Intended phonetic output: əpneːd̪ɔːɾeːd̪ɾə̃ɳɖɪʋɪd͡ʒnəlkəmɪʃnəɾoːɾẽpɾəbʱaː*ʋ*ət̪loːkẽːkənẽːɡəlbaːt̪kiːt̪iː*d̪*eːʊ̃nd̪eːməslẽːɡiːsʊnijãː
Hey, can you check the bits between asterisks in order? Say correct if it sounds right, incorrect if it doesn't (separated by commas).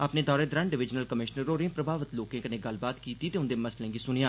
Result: correct, incorrect